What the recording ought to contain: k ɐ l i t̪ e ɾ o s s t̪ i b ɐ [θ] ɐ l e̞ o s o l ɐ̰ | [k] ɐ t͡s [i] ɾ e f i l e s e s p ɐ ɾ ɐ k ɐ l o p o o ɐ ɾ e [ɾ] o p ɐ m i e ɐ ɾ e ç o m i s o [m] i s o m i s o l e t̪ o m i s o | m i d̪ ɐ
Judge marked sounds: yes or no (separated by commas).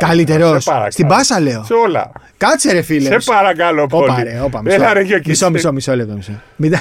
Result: no, yes, no, no, yes